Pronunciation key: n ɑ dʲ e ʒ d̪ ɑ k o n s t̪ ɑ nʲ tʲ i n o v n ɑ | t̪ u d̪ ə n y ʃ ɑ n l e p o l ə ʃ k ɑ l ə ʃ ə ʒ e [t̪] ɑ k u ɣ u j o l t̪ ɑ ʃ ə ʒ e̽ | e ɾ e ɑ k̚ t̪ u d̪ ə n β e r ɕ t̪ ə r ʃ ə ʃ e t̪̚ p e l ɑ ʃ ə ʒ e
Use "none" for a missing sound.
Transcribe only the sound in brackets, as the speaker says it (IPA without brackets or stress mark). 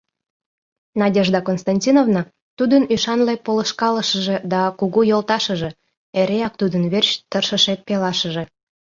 d̪